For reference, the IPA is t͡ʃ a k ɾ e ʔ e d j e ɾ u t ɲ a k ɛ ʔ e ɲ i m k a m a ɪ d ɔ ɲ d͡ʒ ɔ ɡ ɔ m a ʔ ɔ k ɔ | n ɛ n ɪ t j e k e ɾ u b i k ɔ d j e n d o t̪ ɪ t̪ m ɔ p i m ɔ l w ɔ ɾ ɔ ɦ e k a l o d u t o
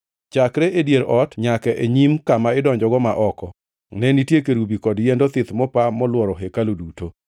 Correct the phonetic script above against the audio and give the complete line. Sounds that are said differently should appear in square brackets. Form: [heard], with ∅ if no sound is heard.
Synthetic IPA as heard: t͡ʃ a k ɾ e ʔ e d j e ɾ [ɔ] t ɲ a k ɛ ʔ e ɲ i m k a m a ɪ d ɔ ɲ d͡ʒ ɔ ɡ ɔ m a ʔ ɔ k ɔ | n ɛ n [i] t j e k e ɾ u b i k ɔ d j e n d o t̪ ɪ t̪ m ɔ p [a] m ɔ l w ɔ ɾ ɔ ɦ e k a l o d u t o

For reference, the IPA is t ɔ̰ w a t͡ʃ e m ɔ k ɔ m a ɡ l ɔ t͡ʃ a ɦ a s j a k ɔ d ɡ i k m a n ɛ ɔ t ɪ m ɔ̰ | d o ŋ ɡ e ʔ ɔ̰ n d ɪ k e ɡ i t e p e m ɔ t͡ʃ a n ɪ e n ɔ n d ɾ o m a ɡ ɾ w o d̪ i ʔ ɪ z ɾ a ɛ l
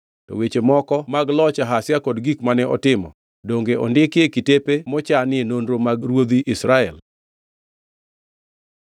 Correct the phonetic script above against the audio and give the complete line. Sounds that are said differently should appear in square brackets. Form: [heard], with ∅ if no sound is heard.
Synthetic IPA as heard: t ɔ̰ w [e] t͡ʃ e m ɔ k ɔ m a ɡ l ɔ t͡ʃ a ɦ a s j a k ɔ d ɡ i k m a n ɛ ɔ t ɪ m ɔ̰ | d o ŋ ɡ e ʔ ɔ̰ n d ɪ k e [k] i t e p e m ɔ t͡ʃ a n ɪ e n [o] n d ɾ o m a ɡ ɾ w o d̪ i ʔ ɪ [s] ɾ a ɛ l

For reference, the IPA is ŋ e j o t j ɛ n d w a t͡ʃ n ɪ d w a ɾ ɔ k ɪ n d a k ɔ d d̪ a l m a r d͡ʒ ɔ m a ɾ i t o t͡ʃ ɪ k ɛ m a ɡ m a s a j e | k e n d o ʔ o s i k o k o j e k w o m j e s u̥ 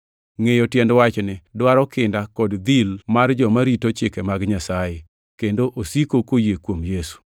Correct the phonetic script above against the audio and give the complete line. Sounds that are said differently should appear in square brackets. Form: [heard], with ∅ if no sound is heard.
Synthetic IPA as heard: ŋ e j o t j ɛ n d w a t͡ʃ n ɪ d w a ɾ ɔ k ɪ n d a k ɔ d d̪ [i] l m a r d͡ʒ ɔ m a ɾ i t o t͡ʃ ɪ k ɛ m a ɡ [ɲ] a s a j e | k e n d o ʔ o s i k o k o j e k w o m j e s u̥

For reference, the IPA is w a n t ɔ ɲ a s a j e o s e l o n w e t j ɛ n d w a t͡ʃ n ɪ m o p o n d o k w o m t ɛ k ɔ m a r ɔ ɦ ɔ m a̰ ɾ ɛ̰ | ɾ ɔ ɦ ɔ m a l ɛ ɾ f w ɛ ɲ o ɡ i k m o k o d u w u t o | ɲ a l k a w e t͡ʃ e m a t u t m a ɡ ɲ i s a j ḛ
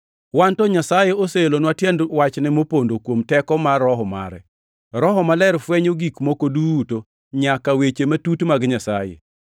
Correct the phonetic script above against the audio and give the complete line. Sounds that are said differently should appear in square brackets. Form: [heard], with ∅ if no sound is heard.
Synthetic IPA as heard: w a n t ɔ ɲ a s a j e o s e l o n w [a] t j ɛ n d w a t͡ʃ n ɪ m o p o n d o k w o m t ɛ k ɔ m a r ɔ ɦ ɔ m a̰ ɾ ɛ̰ | ɾ ɔ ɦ ɔ m a l ɛ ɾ f w ɛ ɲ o ɡ i k m o k o d u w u t o | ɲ a [∅] k a w e t͡ʃ e m a t u t m a ɡ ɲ [a] s a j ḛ

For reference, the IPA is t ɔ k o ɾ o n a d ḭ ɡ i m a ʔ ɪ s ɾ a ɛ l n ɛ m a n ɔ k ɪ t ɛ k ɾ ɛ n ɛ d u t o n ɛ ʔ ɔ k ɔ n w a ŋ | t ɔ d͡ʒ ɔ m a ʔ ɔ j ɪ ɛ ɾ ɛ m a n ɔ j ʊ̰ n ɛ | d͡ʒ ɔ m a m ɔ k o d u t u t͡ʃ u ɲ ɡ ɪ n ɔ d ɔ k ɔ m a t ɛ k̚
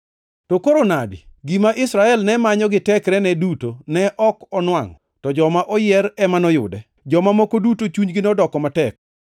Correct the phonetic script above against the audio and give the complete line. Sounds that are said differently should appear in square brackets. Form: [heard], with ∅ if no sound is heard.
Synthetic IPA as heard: t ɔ k o ɾ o n a d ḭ ɡ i m a ʔ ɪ s ɾ a ɛ l n ɛ m a [ɲ] ɔ [ɡ] ɪ t ɛ k ɾ ɛ n ɛ d u t o n ɛ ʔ ɔ k ɔ n w a ŋ | t ɔ d͡ʒ ɔ m a ʔ ɔ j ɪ ɛ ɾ ɛ m a n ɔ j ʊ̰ [d] ɛ | d͡ʒ ɔ m a m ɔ k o d u t [o] t͡ʃ u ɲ ɡ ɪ n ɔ d ɔ k ɔ m a t ɛ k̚

